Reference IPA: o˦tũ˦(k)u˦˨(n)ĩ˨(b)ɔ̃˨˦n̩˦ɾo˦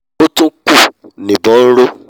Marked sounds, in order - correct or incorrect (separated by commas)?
correct, correct, correct